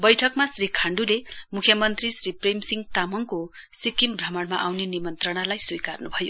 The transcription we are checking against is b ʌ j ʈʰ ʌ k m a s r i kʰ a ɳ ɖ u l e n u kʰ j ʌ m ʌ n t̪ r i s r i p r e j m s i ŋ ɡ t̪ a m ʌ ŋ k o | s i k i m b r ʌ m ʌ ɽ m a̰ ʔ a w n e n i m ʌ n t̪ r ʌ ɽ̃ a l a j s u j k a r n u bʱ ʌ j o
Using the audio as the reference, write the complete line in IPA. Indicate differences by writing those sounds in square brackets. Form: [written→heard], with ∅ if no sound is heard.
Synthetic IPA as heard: b ʌ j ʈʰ ʌ k m a s r i kʰ a ɳ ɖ u l e [n→m] u kʰ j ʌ m ʌ n t̪ r i s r i p r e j m s i ŋ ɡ t̪ a m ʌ ŋ k o | s i k i m b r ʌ m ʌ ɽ m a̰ ʔ a w n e n i m ʌ n t̪ r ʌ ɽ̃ a l a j s u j k a r n u bʱ ʌ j o